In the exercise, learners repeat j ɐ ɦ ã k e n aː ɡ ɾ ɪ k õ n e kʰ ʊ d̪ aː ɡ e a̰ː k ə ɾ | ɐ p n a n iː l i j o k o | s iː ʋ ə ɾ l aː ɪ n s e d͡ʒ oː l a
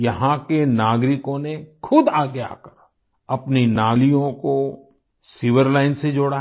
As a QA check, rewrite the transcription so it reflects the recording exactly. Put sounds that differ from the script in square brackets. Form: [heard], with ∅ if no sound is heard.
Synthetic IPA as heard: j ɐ ɦ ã k e n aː ɡ ɾ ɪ k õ n e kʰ ʊ d̪ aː ɡ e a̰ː k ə ɾ | ɐ p n [i] n [aː] l i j [õ] k o | s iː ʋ ə ɾ l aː ɪ n s e d͡ʒ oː [ɽ] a